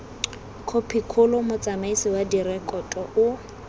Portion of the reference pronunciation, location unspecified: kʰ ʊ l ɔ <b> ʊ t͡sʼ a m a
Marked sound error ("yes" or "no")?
yes